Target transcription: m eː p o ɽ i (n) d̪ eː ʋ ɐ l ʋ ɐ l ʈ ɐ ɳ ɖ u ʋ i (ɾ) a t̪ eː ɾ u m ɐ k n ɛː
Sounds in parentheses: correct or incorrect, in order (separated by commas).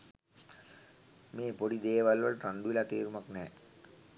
incorrect, incorrect